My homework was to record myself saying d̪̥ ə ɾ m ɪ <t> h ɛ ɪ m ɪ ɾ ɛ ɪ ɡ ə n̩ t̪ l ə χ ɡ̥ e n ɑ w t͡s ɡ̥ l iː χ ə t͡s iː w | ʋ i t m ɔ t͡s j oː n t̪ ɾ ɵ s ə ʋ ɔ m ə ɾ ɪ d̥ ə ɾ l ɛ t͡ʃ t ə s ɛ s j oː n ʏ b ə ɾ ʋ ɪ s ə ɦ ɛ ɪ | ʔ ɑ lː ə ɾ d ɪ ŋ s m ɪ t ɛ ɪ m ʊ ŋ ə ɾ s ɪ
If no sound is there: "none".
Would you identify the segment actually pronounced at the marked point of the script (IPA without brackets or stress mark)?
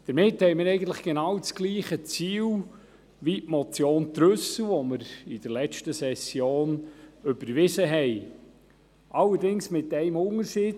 t